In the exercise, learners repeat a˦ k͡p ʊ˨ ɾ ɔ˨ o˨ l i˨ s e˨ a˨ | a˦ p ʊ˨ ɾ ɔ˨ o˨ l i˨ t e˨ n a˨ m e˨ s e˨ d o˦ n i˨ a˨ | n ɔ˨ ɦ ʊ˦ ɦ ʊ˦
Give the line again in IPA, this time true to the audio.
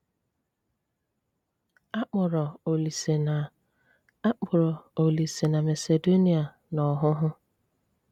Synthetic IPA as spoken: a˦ k͡p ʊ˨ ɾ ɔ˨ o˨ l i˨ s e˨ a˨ | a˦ k͡p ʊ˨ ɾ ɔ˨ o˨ l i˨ s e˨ n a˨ m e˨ s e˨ d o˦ n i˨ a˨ | n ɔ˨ ɦ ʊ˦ ɦ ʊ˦